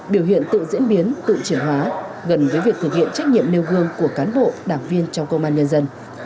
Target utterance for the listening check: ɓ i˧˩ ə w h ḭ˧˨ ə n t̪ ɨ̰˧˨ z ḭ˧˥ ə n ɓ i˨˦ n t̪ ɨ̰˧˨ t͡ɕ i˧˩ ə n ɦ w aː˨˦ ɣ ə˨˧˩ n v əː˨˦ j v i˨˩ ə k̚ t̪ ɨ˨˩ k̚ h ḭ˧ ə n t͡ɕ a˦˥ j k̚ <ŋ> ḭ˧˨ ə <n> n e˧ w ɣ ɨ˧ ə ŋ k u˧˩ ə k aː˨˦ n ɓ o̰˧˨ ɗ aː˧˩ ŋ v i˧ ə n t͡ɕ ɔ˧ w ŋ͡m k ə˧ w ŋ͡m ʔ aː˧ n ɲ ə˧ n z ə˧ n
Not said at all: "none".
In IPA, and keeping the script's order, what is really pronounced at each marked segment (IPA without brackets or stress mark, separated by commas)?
ɲ, m